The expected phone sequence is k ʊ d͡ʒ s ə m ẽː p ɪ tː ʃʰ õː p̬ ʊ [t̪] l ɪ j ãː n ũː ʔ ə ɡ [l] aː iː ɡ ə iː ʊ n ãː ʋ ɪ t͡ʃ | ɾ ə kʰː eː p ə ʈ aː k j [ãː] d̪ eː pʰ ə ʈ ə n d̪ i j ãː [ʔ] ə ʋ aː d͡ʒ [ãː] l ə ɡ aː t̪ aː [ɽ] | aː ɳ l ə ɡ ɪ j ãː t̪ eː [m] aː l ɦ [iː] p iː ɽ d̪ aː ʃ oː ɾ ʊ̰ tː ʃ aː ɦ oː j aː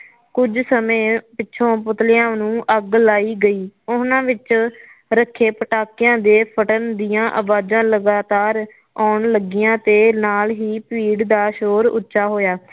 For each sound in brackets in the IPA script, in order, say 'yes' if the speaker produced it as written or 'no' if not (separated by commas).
yes, yes, yes, yes, yes, no, no, yes